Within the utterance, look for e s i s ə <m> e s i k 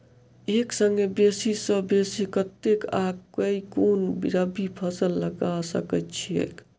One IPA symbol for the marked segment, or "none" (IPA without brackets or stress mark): b